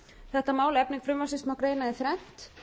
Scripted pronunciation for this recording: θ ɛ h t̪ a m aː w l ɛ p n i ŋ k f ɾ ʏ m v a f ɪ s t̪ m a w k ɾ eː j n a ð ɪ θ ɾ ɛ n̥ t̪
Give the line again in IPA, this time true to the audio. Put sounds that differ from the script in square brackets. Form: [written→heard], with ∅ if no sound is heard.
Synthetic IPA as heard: θ ɛ h t̪ a m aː w l ɛ p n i ŋ k f ɾ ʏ m v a [f→s] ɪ s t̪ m a w k ɾ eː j n a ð ɪ θ ɾ ɛ n̥ t̪

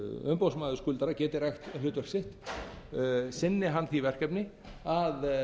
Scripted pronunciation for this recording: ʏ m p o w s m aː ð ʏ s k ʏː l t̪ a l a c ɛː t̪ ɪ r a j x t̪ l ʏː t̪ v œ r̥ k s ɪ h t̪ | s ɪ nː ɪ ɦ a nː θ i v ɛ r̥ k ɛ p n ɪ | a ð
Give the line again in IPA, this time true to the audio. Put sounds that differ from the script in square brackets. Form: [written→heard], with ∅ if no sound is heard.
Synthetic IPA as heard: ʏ m p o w s m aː ð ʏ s k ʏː l t̪ a [l→ɾ] a c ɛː t̪ ɪ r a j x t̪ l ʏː t̪ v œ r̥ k s ɪ h t̪ | s ɪ nː ɪ ɦ a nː θ i v ɛ r̥ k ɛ p n ɪ | a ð

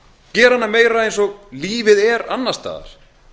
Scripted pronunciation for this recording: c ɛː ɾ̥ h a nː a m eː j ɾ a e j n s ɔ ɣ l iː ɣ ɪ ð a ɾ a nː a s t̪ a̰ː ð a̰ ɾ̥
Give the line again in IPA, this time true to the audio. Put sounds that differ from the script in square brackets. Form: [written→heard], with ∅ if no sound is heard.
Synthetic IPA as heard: c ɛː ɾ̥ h a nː a m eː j ɾ a e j n s ɔ ɣ l iː [ɣ→v] ɪ ð [a→ɛ] ɾ a nː a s t̪ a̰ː ð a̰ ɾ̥

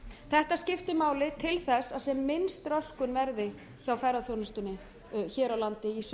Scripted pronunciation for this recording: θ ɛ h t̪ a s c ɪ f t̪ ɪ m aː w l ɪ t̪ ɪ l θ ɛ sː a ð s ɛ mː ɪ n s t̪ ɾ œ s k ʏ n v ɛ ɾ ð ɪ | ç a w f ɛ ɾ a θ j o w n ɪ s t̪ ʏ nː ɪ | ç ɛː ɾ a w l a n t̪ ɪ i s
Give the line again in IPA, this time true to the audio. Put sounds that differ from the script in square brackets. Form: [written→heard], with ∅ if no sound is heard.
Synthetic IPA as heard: θ ɛ h t̪ a s c ɪ f t̪ ɪ m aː w l ɪ [t̪→t̪ʰ] ɪ l θ ɛ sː a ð s ɛ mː ɪ n s t̪ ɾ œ s k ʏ n v ɛ ɾ ð ɪ | ç a w f ɛ ɾ a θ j o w n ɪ s t̪ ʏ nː ɪ | ç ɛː ɾ a w l a n t̪ ɪ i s

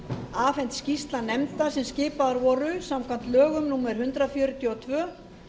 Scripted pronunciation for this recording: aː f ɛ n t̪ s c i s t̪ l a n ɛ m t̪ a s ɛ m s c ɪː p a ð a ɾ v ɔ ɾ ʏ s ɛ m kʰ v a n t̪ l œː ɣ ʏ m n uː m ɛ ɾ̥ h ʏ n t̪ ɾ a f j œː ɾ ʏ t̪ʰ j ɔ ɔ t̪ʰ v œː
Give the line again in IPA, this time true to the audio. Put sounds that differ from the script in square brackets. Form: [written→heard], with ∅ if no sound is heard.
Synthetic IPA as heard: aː f ɛ n t̪ s c i s t̪ l a n ɛ m t̪ a s ɛ m s c ɪː p a ð a ɾ v ɔ ɾ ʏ s [ɛ→a] m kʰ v a n t̪ l œː ɣ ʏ m n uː m ɛ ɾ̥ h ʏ n t̪ ɾ a f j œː ɾ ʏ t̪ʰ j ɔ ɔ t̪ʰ v œː

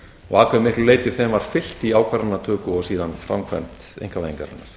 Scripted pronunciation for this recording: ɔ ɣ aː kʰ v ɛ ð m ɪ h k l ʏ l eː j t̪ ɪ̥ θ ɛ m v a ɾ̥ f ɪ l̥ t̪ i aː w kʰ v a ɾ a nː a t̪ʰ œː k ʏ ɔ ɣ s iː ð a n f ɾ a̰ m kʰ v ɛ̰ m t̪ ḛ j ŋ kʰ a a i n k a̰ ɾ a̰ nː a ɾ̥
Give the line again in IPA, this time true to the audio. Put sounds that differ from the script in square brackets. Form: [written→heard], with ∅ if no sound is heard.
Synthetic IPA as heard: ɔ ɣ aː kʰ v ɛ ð m ɪ h k l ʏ l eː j t̪ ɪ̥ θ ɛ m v a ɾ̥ f ɪ l̥ t̪ i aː w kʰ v a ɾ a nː a t̪ʰ œː k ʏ ɔ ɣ s iː ð a n f ɾ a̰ m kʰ v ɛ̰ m t̪ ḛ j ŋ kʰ a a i [n→ŋ] k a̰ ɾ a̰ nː a ɾ̥

